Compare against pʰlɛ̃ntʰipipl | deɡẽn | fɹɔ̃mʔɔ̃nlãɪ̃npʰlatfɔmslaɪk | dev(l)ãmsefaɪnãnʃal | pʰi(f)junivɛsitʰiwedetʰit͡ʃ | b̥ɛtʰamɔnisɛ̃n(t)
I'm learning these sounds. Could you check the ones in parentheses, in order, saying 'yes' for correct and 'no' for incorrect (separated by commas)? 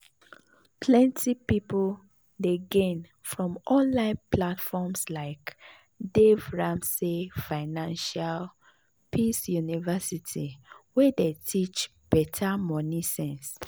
no, no, no